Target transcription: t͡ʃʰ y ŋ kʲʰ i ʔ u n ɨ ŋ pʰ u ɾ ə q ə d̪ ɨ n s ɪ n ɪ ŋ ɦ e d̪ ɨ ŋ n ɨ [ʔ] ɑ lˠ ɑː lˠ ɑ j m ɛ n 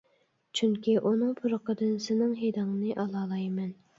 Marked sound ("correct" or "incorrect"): correct